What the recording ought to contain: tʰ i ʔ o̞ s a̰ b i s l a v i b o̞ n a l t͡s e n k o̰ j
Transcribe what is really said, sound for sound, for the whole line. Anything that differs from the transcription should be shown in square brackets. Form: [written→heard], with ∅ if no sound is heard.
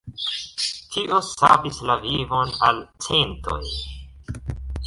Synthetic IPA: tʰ i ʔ o̞ s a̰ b i s l a v i [b→v] o̞ n a l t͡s e n [k→t] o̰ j